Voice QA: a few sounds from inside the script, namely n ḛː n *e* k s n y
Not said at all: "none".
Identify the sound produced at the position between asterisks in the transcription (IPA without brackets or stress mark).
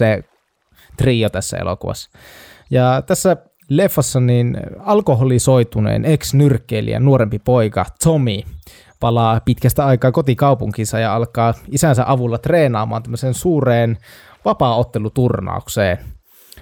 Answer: e